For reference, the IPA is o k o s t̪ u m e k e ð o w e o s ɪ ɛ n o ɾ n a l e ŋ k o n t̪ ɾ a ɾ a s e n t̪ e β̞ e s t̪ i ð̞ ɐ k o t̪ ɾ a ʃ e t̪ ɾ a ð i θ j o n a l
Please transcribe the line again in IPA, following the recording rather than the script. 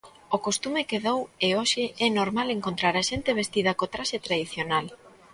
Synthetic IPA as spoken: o k o s t̪ u m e k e ð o w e o ʃ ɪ ɛ n o ɾ m a l e ŋ k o n t̪ ɾ a ɾ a ʃ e n t̪ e β̞ e s t̪ i ð̞ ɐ k o t̪ ɾ a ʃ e t̪ ɾ a ð i θ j o n a l